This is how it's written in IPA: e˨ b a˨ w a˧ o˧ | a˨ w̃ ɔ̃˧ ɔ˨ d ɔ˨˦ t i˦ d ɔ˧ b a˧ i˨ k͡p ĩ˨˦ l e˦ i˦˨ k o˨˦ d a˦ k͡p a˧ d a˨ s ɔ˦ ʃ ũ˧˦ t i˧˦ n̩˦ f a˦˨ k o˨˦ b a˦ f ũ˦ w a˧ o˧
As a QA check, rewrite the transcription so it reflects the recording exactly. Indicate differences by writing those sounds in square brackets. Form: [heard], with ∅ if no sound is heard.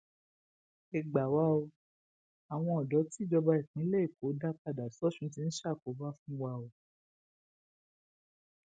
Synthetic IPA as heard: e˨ [ɡ͡b] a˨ w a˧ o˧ | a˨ w̃ ɔ̃˧ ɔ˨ d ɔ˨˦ t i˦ [d͡ʒ] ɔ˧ b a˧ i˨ k͡p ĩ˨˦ l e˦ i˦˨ k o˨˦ d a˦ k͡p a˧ d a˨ s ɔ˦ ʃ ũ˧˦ t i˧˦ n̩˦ [ʃ] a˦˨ k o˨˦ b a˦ f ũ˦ w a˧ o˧